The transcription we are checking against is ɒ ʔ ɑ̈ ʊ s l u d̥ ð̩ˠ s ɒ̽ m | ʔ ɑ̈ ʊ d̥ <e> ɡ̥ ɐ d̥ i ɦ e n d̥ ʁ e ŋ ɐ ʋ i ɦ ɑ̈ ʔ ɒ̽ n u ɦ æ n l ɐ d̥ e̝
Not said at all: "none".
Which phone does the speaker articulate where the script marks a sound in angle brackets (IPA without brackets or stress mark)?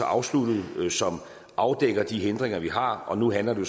e